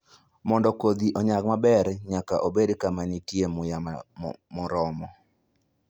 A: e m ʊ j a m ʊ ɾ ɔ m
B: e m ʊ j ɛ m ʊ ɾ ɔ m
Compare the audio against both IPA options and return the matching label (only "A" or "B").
A